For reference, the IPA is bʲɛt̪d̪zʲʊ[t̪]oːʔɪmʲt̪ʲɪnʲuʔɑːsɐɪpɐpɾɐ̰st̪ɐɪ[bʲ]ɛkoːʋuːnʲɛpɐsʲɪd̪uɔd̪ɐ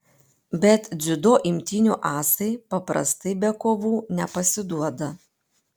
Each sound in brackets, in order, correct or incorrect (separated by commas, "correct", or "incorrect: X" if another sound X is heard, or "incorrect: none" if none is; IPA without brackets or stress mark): incorrect: d̪, correct